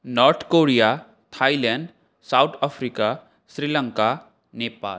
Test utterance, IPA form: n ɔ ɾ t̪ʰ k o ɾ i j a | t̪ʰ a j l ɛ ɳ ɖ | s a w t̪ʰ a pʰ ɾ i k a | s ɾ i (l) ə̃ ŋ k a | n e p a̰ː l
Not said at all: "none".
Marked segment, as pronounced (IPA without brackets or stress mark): l